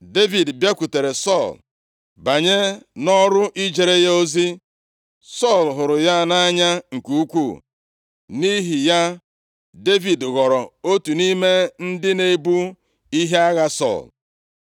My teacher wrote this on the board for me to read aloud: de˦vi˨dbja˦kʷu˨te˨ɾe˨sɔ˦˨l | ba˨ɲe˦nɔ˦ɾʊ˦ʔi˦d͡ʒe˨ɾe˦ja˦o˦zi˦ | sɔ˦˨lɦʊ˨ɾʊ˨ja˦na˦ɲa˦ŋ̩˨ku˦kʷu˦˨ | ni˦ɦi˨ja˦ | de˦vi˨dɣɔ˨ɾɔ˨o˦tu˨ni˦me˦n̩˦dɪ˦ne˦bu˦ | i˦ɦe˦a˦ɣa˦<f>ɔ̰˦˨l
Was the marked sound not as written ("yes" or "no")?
yes